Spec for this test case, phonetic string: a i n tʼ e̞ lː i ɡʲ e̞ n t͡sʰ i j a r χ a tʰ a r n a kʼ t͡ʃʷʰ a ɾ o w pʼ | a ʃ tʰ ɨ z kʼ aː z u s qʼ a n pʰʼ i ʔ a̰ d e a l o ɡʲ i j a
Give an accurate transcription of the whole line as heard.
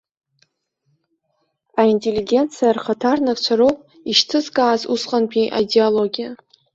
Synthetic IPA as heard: a i n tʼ e̞ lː i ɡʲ e̞ n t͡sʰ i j a r χ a tʰ a r n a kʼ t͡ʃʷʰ a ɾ o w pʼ | i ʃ tʰ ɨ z kʼ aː z u s qʼ a n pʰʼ i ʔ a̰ d e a l o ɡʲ i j a